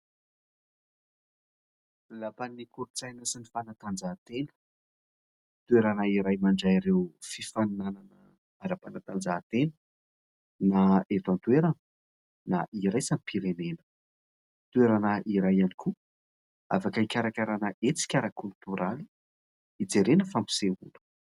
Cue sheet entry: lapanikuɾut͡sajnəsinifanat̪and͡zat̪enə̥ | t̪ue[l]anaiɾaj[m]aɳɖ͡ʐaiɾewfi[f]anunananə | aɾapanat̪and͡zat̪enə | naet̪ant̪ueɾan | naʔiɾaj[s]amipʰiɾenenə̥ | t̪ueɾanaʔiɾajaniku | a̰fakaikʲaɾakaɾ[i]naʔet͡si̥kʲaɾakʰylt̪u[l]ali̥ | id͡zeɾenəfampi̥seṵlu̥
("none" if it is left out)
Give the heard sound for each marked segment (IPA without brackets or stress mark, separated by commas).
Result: ɾ, m, f, s, a, ɾ